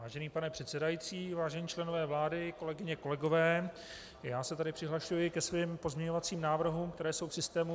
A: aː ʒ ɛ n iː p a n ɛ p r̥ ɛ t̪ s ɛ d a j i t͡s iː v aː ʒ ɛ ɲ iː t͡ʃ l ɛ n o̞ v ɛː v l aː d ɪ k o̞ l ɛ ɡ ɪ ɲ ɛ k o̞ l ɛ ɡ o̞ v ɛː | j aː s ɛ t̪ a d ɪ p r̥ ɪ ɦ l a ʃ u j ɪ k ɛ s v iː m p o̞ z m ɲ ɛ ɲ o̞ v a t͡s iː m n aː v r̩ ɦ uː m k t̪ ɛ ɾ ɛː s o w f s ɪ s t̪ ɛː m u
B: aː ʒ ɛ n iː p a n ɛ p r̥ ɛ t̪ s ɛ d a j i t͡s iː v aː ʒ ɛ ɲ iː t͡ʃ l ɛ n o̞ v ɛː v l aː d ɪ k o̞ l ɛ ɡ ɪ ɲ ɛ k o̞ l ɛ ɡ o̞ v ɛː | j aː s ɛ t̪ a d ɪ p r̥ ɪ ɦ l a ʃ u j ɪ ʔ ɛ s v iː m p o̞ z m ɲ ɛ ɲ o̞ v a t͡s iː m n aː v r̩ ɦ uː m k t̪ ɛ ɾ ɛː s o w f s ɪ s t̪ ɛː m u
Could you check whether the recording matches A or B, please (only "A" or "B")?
A